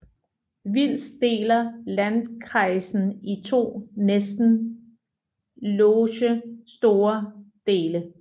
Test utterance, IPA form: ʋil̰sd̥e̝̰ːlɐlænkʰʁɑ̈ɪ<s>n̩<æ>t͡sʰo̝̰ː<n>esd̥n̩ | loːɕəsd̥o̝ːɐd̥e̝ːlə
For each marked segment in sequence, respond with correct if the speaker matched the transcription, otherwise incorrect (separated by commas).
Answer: correct, incorrect, correct